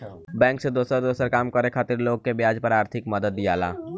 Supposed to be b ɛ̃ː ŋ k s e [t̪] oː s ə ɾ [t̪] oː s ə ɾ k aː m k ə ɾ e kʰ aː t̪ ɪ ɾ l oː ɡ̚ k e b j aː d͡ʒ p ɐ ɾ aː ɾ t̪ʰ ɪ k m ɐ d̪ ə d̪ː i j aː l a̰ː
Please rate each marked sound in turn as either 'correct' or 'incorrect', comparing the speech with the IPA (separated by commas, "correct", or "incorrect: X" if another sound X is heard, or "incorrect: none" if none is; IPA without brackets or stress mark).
incorrect: d̪, incorrect: d̪